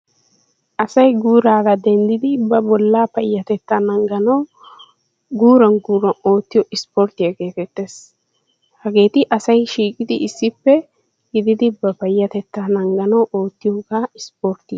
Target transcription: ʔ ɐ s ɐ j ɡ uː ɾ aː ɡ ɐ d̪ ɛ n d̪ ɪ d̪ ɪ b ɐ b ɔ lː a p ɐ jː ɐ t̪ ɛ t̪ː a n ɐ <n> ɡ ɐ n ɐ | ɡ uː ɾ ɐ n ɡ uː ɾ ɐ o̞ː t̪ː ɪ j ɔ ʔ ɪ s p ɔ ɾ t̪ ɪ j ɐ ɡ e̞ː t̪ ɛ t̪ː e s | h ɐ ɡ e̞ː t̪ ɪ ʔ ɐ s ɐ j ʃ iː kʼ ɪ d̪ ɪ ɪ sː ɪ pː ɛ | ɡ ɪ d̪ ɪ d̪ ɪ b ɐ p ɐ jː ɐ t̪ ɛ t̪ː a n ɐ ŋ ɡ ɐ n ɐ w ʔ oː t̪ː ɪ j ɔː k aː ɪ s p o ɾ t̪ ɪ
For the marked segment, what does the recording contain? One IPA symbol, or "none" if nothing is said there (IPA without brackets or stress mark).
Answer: ŋ